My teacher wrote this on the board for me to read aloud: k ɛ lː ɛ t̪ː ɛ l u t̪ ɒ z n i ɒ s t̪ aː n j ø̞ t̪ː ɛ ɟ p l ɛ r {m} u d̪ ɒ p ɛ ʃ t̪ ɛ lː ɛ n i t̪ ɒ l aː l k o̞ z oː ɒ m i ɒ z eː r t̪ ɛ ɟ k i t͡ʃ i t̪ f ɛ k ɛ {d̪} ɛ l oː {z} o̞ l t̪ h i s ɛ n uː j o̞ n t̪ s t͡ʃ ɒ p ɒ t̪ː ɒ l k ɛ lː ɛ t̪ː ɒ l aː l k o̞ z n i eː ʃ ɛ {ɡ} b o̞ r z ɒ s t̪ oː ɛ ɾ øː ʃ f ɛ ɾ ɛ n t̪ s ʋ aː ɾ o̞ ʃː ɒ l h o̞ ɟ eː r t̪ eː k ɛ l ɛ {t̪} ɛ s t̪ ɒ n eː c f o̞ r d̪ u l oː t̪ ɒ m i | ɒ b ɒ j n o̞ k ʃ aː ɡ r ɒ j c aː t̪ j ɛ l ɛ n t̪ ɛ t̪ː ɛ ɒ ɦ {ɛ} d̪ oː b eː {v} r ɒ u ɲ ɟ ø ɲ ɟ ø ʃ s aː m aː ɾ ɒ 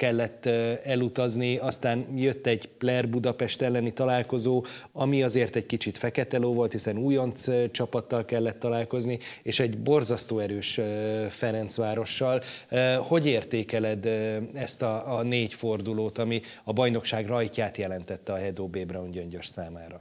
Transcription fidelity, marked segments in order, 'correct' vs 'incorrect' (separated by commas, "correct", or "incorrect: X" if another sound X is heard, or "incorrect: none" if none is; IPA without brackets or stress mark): incorrect: b, incorrect: t̪, incorrect: v, incorrect: ɟ, incorrect: d̪, correct, incorrect: b